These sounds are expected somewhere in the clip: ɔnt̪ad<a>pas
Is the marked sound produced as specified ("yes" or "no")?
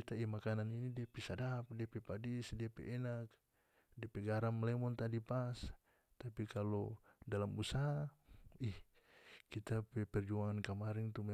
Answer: no